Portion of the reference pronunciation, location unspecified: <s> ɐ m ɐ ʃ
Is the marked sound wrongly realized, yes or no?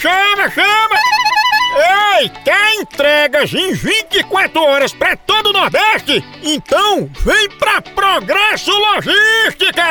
yes